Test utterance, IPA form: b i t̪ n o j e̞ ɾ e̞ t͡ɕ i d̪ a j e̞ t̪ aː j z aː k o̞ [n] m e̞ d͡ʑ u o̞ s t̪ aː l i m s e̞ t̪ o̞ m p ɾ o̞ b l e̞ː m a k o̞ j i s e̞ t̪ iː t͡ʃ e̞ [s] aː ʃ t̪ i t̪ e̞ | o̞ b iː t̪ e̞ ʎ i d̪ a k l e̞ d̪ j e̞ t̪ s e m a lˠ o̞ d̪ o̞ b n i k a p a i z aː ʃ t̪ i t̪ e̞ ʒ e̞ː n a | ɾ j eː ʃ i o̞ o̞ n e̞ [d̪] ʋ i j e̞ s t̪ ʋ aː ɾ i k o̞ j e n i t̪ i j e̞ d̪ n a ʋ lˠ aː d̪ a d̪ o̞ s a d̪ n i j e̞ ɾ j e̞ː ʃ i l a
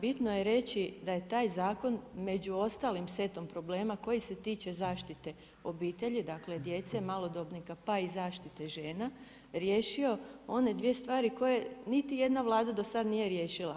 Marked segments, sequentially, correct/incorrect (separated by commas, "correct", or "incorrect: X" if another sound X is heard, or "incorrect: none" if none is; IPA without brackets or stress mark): correct, incorrect: z, correct